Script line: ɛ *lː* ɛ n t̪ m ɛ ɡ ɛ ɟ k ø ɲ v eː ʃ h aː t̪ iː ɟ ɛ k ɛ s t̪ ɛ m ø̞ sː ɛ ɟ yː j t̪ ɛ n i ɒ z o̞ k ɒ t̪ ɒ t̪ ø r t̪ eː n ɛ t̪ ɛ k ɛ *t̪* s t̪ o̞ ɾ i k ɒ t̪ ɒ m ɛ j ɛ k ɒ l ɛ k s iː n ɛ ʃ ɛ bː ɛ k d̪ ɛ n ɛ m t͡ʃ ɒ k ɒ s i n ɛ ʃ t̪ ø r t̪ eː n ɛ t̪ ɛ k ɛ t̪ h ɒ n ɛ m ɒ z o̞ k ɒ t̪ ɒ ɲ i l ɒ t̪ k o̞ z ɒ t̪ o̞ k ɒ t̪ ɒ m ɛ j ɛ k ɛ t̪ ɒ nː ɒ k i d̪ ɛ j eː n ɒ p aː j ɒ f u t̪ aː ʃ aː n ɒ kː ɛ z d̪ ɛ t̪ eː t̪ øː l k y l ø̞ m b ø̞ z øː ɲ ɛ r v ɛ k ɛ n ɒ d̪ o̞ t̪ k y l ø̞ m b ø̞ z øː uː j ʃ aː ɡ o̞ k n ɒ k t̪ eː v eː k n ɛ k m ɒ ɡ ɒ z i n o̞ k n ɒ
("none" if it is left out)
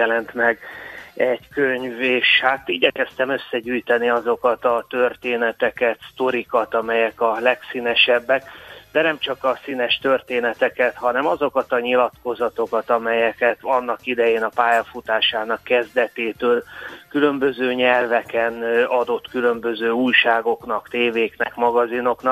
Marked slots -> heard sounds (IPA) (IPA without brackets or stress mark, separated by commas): l, t̪